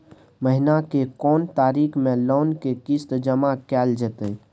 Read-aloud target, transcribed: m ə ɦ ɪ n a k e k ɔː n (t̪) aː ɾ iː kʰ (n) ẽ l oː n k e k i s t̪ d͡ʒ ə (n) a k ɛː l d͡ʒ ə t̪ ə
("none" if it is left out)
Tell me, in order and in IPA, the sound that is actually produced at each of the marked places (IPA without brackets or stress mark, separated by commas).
t̪, m, m